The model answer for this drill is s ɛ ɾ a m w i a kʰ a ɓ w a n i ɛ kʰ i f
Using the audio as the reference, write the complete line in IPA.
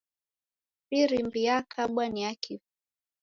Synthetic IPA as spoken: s i ɾ i m b i a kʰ a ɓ w a n i a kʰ i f